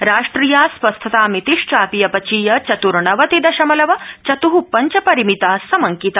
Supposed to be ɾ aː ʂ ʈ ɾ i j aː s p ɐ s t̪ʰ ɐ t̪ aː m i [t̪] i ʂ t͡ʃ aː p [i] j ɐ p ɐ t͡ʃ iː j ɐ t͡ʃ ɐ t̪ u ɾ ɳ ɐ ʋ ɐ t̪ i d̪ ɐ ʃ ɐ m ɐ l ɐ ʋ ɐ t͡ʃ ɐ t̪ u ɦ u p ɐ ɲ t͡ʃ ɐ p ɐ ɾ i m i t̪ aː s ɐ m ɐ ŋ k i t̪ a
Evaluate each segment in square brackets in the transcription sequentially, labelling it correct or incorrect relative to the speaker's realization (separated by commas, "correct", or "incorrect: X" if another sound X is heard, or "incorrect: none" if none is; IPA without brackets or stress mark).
correct, correct